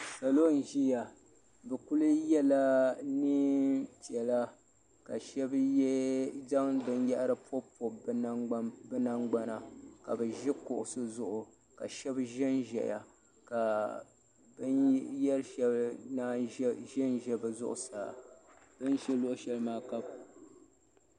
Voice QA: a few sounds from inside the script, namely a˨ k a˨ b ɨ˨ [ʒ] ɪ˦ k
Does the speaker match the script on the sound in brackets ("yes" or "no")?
yes